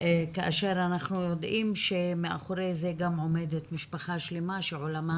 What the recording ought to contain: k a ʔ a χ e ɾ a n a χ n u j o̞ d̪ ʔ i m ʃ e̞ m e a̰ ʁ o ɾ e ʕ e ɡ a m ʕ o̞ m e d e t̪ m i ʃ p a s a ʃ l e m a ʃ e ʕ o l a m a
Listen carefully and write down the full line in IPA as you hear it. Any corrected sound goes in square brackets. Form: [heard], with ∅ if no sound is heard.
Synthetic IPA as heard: k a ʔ a [ʃ] e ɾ a n a χ n u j o̞ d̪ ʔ i m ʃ e̞ m e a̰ [χ] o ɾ e [z] e ɡ a m ʕ o̞ m e d e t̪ m i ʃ p a [χ] a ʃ l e m a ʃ e ʕ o l a m a